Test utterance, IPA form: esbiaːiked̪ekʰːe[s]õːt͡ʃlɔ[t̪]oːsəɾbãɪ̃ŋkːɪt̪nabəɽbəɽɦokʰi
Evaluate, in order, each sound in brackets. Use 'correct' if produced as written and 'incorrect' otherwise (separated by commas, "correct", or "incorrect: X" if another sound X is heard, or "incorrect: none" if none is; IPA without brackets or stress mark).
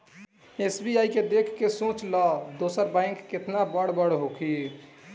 correct, incorrect: d̪